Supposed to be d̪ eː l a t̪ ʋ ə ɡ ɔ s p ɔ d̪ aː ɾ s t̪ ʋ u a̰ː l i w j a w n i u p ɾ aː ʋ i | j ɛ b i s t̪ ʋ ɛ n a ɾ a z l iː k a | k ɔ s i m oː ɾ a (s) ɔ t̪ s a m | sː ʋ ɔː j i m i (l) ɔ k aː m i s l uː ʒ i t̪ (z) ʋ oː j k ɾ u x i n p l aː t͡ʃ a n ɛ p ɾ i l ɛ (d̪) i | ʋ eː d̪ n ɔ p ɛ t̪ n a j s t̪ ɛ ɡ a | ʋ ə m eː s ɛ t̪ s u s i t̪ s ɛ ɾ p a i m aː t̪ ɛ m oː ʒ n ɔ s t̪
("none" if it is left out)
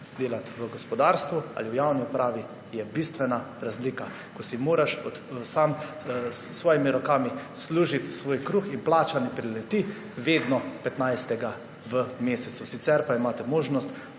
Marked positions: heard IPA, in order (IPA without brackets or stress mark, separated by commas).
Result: ʃ, ɾ, s, t̪